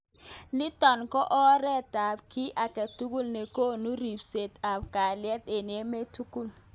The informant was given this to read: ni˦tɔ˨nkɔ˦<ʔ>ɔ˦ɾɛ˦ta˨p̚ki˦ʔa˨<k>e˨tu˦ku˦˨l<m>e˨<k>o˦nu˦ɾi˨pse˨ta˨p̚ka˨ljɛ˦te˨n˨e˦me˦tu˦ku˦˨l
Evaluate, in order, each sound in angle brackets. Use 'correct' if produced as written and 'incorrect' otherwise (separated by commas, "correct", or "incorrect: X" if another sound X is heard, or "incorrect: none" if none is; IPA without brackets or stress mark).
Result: correct, correct, incorrect: n, correct